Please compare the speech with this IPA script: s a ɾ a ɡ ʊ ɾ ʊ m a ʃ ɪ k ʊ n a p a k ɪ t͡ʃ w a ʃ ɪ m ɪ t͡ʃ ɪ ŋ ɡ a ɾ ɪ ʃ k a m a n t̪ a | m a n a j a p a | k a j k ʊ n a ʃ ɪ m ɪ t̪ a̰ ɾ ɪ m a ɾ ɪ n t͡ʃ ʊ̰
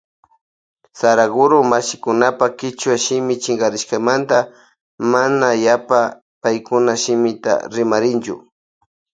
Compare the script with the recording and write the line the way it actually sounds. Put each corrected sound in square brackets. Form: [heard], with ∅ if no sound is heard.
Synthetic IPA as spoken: s a ɾ a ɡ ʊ ɾ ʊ m a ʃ ɪ k ʊ n a p a k ɪ t͡ʃ w a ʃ ɪ m ɪ t͡ʃ ɪ ŋ ɡ a ɾ ɪ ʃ k a m a n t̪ a | m a n a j a p a | [p] a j k ʊ n a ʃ ɪ m ɪ t̪ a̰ ɾ ɪ m a ɾ ɪ n t͡ʃ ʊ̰